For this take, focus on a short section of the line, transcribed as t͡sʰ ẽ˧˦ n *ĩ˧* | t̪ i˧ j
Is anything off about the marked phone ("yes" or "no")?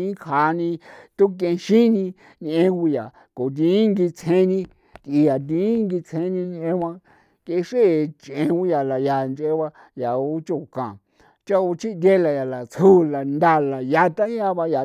no